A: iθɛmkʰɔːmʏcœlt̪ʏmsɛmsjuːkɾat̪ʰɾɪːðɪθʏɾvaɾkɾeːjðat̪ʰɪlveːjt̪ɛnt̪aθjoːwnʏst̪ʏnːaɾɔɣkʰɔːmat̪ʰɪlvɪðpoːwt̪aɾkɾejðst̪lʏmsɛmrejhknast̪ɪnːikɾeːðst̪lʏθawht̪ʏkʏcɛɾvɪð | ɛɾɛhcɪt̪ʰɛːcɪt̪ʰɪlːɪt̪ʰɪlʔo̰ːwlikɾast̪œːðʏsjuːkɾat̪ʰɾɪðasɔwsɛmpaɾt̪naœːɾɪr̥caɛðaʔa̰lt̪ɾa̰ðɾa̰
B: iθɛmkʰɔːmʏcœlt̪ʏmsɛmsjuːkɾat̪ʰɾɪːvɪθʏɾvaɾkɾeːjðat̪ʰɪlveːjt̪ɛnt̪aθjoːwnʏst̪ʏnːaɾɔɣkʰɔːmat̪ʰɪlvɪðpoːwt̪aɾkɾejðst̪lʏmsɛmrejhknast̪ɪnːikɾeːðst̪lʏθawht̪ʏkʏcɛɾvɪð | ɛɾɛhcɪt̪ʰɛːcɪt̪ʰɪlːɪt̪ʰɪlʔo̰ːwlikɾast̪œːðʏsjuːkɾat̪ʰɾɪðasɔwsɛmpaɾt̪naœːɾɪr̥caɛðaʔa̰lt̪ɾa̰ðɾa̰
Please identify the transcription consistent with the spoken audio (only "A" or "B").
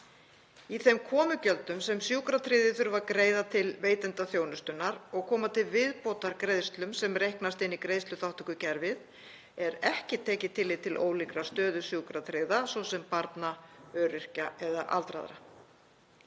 A